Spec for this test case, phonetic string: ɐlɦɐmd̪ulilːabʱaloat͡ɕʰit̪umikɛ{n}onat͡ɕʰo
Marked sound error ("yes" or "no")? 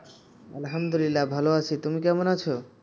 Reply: yes